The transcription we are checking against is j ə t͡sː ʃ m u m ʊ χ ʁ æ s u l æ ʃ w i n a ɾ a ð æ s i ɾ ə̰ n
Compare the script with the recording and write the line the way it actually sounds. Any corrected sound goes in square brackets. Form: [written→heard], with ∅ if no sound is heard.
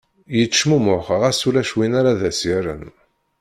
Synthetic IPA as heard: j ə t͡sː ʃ m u m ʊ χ ʁ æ s u l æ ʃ w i n a ɾ a ð æ s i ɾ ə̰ n